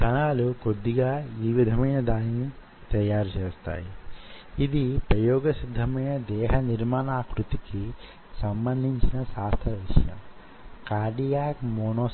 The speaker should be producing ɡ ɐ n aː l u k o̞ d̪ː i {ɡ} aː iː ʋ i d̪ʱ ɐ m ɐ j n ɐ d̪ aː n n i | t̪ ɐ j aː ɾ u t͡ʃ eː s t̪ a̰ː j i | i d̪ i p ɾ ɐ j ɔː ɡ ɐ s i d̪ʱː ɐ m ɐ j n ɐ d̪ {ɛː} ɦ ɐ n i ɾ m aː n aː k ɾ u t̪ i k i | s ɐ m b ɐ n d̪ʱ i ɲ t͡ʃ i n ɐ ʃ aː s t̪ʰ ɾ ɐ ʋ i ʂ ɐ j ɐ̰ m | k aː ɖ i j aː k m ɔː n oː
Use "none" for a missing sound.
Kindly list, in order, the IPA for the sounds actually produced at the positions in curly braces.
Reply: ɡ, ɛː

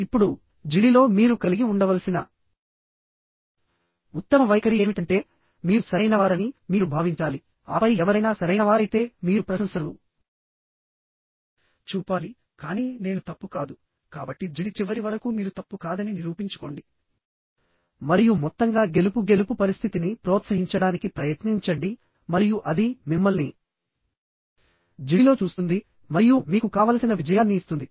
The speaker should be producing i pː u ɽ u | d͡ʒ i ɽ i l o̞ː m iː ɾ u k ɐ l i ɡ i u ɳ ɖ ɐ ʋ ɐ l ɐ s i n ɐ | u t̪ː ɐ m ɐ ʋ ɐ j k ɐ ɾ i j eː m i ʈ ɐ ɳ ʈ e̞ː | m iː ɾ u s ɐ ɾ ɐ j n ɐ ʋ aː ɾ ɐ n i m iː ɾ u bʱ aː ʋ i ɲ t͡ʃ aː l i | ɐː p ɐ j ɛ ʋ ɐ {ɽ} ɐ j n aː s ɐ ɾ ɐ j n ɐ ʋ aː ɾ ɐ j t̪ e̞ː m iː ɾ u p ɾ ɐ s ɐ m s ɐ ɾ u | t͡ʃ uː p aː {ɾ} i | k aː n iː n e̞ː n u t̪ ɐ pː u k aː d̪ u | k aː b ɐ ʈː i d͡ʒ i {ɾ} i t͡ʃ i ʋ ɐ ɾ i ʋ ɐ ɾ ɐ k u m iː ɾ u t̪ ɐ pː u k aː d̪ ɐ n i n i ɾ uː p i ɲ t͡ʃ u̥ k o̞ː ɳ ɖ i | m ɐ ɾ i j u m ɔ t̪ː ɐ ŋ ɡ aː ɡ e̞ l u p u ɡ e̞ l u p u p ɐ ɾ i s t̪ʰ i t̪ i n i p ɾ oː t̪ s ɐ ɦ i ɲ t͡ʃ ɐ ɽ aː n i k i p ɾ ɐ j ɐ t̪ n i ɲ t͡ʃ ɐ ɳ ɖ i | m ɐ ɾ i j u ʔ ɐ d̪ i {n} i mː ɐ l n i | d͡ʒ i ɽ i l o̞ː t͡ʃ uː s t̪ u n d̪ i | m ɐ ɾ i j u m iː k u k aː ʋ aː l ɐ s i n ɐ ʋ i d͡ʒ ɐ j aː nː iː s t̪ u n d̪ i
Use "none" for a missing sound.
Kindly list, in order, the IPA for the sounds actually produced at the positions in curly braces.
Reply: ɾ, l, ɽ, m

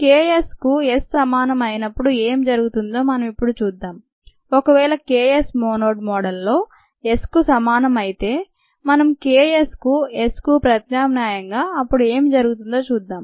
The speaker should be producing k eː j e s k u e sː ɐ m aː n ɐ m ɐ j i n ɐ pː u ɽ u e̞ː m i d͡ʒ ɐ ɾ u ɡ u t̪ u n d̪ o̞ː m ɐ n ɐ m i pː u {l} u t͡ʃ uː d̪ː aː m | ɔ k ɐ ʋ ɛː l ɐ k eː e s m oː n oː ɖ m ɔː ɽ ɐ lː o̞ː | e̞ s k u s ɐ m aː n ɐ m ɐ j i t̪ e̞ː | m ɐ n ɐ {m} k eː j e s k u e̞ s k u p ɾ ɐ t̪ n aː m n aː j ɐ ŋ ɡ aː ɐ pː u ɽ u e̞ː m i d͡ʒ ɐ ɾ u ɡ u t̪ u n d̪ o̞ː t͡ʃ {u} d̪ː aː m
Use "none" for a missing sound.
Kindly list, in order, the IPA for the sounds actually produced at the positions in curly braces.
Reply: ɽ, m, uː

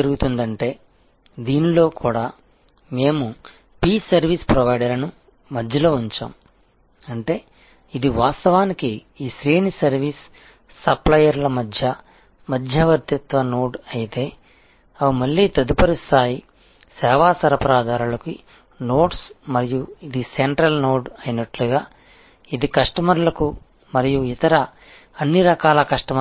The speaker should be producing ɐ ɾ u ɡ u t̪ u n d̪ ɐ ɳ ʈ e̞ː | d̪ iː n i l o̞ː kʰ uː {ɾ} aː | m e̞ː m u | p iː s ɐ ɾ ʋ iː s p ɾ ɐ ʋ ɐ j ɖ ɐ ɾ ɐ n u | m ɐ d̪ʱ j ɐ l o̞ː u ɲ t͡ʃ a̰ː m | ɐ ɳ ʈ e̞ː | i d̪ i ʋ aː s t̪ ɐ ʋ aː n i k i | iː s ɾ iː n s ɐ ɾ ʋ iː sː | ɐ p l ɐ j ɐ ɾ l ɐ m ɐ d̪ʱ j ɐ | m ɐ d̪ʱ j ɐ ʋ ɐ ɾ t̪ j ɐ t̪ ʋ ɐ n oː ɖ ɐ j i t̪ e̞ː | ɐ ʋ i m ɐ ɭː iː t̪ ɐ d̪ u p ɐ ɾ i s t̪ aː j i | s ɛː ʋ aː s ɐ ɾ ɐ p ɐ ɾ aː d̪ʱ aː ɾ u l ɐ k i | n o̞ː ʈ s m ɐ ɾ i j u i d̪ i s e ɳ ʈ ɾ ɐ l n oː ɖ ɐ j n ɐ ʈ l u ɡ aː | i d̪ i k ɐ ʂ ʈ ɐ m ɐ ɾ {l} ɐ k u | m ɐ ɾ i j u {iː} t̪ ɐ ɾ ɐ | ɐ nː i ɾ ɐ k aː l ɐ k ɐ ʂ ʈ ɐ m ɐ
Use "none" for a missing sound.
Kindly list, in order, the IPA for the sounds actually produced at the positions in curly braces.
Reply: ɽ, l, i

